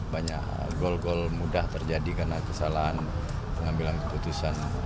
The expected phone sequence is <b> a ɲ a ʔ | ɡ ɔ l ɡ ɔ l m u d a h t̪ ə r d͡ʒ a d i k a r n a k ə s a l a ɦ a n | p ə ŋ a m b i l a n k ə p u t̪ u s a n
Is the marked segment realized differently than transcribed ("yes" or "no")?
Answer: no